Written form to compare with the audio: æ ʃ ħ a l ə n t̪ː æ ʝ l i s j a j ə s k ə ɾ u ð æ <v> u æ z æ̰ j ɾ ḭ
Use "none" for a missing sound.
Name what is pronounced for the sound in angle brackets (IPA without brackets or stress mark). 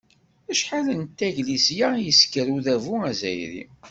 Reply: v